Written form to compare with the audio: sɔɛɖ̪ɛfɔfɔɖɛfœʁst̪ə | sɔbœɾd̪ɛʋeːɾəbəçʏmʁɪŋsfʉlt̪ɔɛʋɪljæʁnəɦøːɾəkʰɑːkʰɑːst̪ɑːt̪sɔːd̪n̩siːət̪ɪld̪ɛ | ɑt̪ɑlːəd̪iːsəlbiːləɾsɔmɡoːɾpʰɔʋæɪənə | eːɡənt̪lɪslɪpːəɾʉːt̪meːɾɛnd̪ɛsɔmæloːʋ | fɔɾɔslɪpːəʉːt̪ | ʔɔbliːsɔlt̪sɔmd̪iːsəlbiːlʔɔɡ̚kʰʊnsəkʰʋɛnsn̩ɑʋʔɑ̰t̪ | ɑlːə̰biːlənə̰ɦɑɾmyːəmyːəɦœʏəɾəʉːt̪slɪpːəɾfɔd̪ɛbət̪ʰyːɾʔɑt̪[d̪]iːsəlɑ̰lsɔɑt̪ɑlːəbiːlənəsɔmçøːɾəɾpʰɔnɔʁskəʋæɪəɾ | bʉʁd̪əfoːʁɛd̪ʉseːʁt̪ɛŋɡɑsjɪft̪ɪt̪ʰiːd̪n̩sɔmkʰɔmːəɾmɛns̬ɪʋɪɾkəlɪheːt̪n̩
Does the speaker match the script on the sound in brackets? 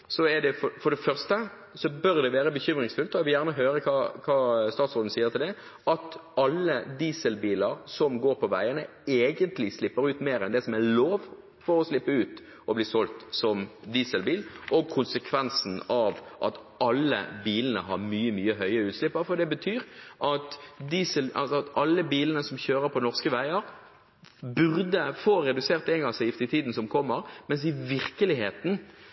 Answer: yes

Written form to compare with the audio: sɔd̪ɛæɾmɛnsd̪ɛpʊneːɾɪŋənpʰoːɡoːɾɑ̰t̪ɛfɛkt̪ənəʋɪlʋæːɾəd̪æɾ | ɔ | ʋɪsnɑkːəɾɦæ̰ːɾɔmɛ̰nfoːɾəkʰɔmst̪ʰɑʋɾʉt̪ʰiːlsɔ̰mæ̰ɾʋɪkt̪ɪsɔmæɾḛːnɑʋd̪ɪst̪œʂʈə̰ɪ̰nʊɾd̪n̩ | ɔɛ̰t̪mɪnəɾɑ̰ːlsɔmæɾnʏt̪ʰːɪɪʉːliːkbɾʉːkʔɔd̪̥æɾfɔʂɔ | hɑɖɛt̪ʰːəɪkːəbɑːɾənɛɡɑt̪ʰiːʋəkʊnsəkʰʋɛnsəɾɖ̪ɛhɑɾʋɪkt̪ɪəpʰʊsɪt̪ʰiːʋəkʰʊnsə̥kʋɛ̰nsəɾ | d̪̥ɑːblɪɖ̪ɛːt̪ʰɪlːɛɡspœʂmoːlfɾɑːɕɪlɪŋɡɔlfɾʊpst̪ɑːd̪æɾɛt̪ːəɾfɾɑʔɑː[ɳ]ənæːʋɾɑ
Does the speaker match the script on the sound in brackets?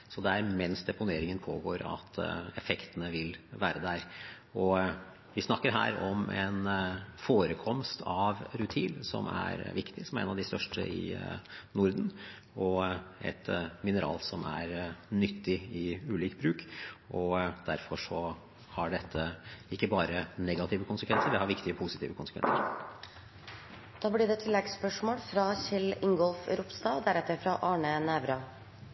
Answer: yes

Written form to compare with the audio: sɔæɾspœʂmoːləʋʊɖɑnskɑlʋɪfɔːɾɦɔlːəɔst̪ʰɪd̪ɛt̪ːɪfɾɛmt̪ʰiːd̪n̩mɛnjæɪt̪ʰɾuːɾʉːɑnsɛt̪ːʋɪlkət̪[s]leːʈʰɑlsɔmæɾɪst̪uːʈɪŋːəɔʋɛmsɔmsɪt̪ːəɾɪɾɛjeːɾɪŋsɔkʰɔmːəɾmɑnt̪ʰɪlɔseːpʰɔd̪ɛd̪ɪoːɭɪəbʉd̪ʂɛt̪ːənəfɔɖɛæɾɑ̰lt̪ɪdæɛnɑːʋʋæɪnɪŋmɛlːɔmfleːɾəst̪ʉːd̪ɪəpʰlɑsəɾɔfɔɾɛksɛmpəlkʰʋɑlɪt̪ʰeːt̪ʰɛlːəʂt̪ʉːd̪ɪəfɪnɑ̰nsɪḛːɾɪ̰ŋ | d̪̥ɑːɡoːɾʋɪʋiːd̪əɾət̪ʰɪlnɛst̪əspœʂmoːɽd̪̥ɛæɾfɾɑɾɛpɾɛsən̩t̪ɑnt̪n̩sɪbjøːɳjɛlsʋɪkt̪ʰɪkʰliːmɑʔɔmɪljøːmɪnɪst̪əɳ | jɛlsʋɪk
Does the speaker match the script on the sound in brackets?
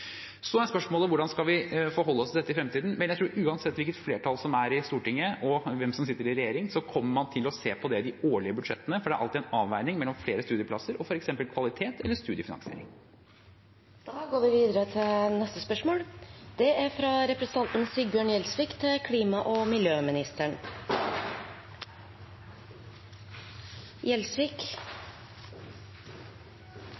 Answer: no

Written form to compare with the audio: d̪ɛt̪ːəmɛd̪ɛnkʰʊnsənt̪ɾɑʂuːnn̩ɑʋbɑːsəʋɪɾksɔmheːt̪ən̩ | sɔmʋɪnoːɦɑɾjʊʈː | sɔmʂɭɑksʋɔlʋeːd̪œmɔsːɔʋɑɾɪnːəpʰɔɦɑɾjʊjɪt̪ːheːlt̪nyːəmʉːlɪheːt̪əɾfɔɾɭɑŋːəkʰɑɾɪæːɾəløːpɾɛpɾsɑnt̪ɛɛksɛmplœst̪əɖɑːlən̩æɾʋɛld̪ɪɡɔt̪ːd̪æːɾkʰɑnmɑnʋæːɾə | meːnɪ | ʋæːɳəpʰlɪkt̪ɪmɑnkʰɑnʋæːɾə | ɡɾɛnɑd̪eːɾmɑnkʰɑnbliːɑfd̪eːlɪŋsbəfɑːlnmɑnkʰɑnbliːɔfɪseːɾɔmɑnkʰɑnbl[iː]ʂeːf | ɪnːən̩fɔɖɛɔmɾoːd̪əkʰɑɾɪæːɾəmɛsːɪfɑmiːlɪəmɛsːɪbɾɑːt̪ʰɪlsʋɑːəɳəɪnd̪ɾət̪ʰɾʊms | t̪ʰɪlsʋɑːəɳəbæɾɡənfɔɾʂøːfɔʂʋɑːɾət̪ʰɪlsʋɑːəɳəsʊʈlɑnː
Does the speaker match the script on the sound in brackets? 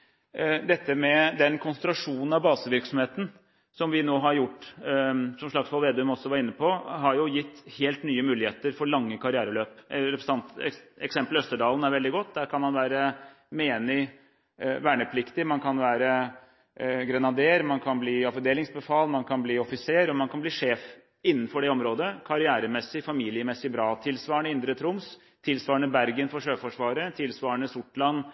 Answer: yes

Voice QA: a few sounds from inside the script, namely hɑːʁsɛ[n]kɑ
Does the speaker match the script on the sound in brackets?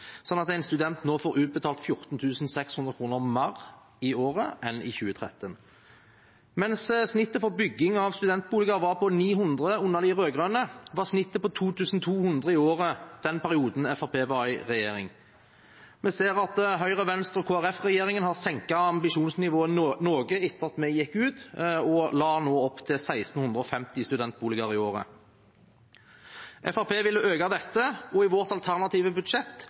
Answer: no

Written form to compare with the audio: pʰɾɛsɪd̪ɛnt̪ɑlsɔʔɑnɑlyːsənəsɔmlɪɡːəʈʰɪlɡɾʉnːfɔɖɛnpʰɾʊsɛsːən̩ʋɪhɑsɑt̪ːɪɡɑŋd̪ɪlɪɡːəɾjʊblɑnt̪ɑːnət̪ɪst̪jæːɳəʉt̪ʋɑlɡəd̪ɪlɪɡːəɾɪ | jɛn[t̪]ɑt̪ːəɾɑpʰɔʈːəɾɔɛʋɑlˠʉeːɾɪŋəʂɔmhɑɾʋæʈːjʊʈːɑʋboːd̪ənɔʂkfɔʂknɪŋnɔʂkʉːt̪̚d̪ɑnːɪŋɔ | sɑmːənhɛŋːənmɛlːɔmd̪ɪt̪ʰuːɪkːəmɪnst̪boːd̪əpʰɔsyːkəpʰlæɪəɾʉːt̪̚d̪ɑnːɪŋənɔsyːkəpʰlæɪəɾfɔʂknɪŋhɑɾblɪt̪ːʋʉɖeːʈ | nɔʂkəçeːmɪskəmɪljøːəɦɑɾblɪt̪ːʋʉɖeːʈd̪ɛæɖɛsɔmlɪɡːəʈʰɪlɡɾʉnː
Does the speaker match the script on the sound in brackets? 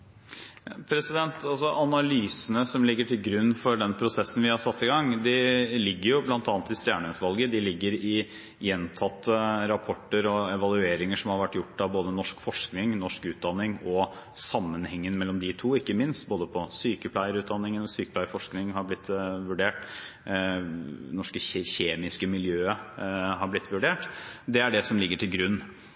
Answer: no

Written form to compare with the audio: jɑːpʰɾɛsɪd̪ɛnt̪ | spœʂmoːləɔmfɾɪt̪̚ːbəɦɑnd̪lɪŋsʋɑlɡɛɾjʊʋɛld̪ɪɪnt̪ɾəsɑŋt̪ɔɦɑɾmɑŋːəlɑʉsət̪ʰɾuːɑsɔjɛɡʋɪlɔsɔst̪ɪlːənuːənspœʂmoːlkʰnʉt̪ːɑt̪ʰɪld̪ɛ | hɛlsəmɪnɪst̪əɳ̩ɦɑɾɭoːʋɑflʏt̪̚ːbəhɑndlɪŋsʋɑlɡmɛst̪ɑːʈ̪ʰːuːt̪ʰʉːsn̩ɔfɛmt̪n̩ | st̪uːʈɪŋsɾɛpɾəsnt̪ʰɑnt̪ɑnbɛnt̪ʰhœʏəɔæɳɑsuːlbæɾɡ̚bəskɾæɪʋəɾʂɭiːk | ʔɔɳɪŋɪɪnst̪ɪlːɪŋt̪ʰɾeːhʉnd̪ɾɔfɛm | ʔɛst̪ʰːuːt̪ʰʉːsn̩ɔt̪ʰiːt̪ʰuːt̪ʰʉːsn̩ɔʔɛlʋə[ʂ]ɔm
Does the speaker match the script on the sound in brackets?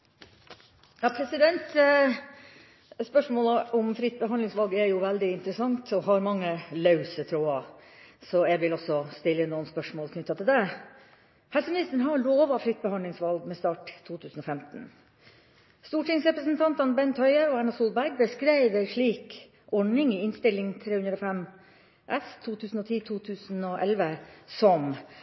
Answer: no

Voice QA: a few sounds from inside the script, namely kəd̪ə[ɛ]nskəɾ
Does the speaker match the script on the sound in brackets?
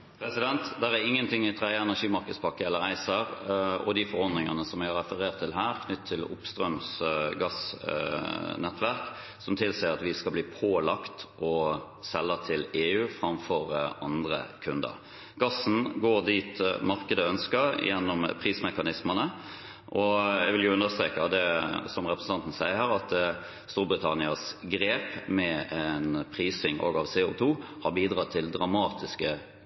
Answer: no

